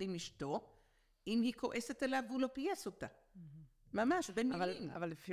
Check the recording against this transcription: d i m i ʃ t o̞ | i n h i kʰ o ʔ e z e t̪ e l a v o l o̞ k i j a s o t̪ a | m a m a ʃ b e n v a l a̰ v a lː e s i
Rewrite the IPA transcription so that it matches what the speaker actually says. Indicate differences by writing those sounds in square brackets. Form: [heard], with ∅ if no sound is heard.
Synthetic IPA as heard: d i m i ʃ t o̞ | i [m] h i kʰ o ʔ e [s] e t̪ e l a v [u] l o̞ [p] i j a s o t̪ a | m a m a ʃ b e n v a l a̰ v a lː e [f] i